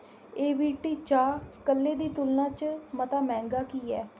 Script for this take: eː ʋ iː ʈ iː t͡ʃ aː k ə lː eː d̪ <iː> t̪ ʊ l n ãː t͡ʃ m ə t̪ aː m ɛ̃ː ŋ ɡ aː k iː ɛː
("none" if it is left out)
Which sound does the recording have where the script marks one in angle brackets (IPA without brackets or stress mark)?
iː